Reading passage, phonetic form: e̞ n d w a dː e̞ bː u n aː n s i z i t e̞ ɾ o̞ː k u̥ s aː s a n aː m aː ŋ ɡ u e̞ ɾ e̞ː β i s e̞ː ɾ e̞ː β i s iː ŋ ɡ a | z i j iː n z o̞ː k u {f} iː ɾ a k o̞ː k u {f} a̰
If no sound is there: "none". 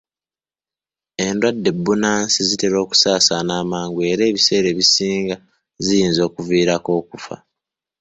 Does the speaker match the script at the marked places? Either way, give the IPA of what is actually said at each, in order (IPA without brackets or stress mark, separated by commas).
v, f